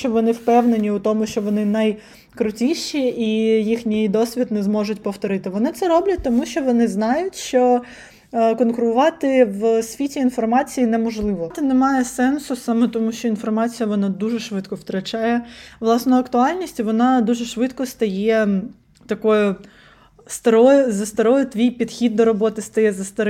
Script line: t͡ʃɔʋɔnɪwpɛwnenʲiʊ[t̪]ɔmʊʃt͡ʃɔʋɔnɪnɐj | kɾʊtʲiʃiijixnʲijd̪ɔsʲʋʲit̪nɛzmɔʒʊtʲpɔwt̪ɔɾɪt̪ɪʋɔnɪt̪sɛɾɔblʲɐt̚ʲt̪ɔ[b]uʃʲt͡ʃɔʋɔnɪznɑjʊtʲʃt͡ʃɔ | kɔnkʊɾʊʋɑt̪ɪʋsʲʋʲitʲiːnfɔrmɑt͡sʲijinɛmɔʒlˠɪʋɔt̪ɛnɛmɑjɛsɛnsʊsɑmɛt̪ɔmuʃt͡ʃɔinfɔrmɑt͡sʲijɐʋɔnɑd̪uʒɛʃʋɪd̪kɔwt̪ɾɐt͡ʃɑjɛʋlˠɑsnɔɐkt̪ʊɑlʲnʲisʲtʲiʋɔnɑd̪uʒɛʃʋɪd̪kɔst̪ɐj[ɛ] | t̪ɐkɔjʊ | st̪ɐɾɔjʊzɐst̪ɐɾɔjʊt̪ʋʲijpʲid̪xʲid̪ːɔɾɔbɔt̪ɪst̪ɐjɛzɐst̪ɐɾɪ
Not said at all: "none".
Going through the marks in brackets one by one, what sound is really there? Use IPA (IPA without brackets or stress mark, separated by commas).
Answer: t̪, m, ɛ